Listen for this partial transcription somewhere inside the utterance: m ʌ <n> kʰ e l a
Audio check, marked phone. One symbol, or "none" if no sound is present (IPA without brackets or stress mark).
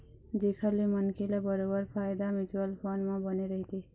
n